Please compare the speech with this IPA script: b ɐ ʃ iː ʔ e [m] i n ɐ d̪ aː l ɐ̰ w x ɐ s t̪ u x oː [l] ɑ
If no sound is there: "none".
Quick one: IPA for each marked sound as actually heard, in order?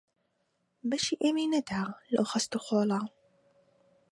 m, l

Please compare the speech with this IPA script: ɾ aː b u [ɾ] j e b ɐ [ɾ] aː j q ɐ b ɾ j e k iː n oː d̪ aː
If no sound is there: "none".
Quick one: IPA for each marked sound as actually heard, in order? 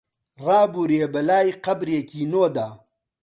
ɾ, l

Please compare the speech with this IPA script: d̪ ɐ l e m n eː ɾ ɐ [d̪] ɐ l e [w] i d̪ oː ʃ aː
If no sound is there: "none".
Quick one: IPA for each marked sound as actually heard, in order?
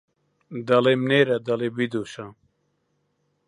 d̪, b

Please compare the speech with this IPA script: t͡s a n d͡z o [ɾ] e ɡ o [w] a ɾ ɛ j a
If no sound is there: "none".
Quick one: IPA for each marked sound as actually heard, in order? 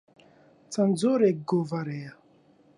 ɾ, v

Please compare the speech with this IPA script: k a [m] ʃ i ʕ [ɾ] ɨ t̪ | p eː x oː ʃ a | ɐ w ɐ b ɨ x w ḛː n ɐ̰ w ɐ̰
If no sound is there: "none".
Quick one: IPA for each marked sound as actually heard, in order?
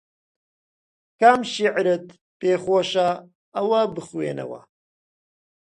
m, ɾ

